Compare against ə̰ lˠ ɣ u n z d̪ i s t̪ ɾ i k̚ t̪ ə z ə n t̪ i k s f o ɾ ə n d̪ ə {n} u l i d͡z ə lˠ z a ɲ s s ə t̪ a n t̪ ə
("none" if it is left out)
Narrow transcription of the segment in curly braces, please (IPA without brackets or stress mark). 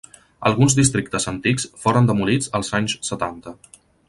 m